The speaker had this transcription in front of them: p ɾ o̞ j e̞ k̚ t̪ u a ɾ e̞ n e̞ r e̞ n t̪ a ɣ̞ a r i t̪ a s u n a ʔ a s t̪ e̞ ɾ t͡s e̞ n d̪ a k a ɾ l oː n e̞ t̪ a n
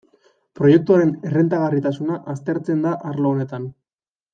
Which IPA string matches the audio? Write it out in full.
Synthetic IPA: p ɾ o̞ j e̞ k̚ t̪ u a ɾ e̞ n e̞ r e̞ n t̪ a ɣ̞ a r i t̪ a s u n a ʔ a s t̪ e̞ ɾ t͡s e̞ n d̪ a ʔ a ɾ l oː n e̞ t̪ a n